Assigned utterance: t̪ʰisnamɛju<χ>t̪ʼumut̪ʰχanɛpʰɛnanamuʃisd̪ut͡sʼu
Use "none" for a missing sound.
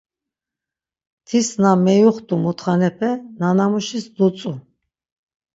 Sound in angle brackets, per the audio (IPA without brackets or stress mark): χ